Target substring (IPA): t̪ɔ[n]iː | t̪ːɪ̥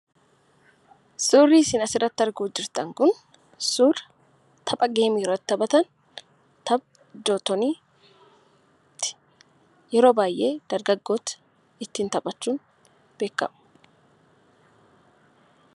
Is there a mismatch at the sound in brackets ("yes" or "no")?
no